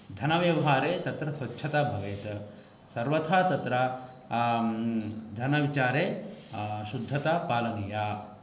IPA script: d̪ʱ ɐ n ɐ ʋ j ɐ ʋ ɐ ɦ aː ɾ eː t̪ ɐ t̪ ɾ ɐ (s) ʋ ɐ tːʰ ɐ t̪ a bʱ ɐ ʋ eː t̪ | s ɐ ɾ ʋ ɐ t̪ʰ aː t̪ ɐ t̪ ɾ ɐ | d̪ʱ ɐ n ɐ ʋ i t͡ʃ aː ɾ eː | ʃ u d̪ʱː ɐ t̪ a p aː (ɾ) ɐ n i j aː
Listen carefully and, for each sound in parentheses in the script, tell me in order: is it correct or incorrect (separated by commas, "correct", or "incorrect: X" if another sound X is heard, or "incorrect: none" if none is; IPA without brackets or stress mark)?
correct, incorrect: l